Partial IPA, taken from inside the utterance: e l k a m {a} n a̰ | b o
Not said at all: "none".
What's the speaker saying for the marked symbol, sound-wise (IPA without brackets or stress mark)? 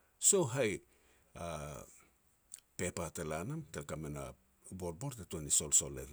e